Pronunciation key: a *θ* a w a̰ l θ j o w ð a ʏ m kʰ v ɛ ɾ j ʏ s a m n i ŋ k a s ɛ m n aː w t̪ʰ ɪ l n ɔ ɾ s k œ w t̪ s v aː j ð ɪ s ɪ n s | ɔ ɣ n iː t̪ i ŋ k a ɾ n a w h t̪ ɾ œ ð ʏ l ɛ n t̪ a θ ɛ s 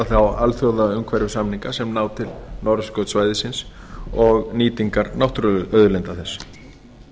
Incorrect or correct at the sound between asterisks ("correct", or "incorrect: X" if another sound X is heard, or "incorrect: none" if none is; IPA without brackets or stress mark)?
correct